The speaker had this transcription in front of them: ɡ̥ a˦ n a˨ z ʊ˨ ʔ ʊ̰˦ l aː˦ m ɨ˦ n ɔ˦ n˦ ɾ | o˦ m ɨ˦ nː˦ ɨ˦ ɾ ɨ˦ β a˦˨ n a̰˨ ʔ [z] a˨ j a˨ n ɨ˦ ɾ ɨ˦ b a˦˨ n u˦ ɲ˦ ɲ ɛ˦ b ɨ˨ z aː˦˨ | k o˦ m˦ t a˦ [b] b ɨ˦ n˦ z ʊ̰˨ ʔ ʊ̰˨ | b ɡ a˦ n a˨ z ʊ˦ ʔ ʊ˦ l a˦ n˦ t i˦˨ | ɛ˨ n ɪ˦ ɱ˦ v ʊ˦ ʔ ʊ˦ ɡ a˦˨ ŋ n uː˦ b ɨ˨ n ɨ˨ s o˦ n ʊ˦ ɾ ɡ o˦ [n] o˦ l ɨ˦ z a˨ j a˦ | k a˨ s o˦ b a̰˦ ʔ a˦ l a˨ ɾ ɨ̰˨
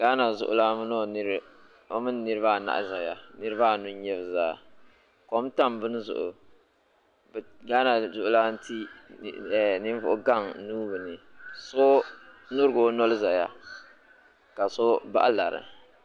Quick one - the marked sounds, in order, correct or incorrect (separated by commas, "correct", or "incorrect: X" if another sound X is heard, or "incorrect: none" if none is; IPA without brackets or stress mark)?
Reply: correct, incorrect: m, correct